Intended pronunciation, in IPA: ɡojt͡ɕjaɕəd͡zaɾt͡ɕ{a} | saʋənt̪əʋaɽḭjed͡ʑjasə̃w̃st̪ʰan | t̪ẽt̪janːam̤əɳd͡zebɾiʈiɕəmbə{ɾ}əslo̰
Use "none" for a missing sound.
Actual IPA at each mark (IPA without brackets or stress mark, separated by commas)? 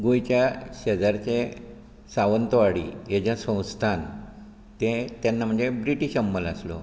e, l